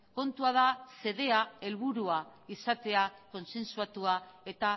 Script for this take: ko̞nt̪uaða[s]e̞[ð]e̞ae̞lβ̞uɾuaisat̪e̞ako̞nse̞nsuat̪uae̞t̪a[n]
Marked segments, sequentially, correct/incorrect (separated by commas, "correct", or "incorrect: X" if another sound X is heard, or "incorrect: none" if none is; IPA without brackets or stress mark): correct, correct, incorrect: none